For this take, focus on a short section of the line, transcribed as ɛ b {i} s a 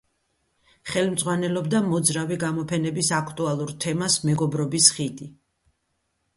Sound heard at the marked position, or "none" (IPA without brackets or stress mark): i